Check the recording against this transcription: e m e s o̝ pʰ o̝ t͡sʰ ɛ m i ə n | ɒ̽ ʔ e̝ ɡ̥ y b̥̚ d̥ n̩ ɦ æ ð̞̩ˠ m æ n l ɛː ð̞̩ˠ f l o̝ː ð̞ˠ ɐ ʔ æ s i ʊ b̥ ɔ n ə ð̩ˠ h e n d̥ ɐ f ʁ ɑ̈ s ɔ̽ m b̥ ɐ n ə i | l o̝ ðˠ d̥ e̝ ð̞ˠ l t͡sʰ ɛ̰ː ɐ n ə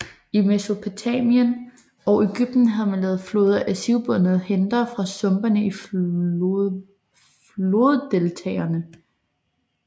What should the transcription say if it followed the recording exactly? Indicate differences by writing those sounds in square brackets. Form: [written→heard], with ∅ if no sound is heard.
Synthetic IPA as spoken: [e→i] m e s o̝ pʰ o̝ t͡sʰ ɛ m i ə n | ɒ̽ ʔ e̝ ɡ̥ y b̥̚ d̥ n̩ ɦ æ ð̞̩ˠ m æ n l ɛː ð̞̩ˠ f l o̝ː ð̞ˠ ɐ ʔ æ s i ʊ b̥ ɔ n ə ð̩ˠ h e n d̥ ɐ f ʁ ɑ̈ s ɔ̽ m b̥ ɐ n ə i | l o̝ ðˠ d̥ e̝ [ð̞ˠ→∅] l t͡sʰ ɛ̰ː ɐ n ə